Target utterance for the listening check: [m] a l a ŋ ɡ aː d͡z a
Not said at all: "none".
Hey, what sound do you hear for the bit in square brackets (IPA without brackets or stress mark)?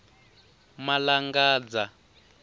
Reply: m